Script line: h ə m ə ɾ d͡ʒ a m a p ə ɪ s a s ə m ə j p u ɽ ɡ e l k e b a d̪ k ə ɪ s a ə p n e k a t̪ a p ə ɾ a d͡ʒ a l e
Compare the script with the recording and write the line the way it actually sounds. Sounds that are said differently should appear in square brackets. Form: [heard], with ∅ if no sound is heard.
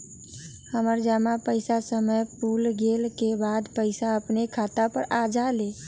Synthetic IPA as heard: h ə m ə ɾ d͡ʒ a m a p ə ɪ s a s ə m ə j p u [l] ɡ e l k e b a d̪ [p] ə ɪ s a ə p n e [kʰ] a t̪ a p ə ɾ a d͡ʒ a l e